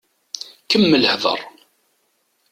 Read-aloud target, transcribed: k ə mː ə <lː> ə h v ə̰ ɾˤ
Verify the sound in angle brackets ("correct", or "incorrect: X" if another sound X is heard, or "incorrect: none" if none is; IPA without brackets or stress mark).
incorrect: l